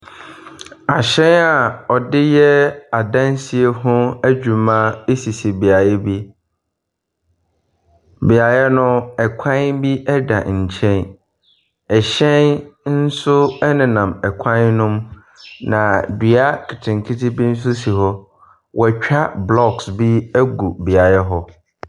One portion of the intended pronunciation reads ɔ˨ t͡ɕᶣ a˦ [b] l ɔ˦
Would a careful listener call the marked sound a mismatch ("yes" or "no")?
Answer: no